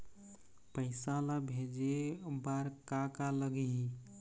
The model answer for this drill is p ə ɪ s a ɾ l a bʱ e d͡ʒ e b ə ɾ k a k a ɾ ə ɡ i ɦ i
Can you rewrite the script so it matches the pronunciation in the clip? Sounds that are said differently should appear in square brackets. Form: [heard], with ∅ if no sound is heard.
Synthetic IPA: p ə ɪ s a [∅] l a bʱ e d͡ʒ e b [a] ɾ k a k a [l] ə ɡ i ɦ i